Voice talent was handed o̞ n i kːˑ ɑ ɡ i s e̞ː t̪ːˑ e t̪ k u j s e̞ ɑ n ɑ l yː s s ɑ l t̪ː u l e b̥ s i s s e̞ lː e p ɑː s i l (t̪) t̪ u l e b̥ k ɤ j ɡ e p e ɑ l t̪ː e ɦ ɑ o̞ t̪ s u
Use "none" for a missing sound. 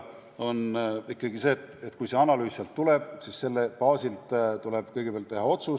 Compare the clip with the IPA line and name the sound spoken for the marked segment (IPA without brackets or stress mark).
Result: t̪